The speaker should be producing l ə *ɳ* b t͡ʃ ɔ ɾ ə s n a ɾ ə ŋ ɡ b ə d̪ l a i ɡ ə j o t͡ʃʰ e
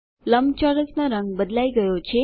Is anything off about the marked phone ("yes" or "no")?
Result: yes